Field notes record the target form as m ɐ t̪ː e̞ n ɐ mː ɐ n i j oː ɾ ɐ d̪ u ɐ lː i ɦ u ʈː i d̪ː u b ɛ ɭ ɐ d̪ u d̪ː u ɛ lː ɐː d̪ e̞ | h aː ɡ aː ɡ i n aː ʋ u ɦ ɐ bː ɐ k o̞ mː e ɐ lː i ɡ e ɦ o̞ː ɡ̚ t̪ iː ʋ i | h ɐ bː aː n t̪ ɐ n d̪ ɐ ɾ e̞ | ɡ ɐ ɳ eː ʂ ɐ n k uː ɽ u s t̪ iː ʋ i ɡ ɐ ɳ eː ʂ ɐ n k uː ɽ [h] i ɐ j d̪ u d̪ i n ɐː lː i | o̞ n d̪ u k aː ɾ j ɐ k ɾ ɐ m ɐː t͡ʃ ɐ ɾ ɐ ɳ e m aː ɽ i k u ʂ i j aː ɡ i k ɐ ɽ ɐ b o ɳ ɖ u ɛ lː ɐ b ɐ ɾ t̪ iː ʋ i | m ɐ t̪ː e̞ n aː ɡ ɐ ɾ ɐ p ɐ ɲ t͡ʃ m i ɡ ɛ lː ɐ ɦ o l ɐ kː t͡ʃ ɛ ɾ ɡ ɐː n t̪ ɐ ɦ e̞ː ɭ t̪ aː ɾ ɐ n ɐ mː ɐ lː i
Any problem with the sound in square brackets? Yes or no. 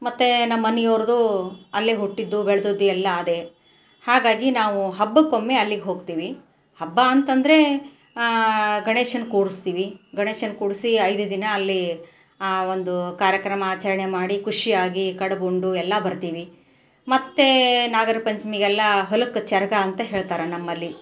yes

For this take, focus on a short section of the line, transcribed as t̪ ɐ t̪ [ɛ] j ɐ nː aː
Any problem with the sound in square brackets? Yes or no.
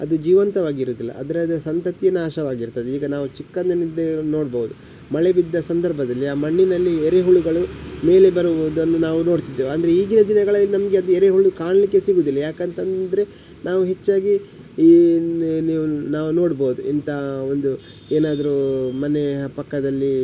yes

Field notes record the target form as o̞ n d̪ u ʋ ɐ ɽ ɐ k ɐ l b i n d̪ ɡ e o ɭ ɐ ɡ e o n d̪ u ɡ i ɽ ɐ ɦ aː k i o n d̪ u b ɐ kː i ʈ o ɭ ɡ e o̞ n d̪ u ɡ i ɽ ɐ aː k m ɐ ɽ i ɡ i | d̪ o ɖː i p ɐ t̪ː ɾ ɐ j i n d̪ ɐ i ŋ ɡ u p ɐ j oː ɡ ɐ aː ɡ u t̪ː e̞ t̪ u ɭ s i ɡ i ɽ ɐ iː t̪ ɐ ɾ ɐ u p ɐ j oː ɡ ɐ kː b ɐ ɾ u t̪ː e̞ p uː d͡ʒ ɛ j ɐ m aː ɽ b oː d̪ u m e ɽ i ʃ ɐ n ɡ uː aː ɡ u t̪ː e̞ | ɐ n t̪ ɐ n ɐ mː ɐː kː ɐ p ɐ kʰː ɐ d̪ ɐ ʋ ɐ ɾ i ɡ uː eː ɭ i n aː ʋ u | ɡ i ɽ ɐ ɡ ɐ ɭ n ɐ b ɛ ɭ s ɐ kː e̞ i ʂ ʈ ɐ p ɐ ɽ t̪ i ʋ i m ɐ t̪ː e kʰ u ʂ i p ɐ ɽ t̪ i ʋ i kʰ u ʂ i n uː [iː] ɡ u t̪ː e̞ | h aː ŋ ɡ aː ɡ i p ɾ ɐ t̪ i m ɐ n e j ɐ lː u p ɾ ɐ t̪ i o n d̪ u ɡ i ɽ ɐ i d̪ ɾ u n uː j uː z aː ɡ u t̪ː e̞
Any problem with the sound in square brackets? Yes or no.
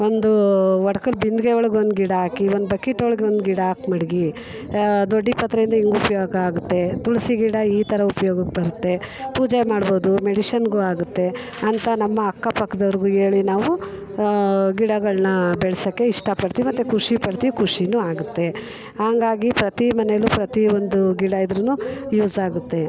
yes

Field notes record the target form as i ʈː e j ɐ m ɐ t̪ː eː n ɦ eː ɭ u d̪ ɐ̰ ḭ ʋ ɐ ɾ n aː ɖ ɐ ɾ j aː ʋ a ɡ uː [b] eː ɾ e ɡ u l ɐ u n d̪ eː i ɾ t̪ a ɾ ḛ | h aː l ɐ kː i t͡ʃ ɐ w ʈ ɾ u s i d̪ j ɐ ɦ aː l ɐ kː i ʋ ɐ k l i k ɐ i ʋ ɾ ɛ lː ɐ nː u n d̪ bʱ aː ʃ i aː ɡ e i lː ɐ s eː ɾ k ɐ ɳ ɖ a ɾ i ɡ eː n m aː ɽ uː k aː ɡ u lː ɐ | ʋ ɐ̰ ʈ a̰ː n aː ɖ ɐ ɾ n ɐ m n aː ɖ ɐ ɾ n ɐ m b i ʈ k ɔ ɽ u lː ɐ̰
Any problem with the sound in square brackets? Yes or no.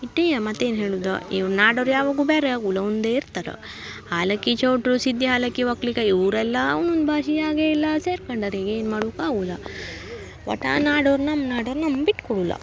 no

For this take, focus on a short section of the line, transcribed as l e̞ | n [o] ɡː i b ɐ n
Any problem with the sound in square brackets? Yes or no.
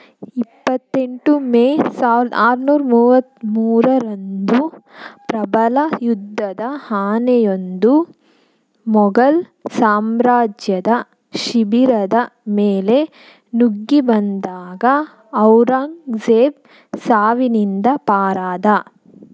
yes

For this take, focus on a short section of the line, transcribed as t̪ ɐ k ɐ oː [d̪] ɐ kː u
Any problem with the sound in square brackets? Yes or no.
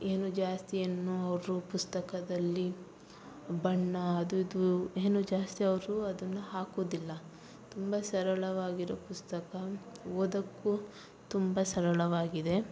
no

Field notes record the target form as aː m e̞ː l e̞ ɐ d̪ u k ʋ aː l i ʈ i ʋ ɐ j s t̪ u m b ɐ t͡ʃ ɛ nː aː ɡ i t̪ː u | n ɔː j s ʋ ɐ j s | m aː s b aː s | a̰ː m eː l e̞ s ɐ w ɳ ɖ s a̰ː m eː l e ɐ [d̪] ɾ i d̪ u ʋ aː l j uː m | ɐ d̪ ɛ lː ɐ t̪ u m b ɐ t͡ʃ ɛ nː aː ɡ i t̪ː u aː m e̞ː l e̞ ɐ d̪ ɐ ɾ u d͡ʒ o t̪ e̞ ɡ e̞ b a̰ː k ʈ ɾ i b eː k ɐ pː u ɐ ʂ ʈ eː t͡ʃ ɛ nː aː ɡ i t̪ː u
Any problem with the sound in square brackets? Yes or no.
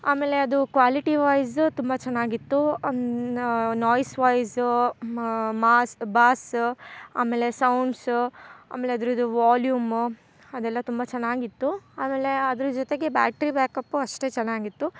no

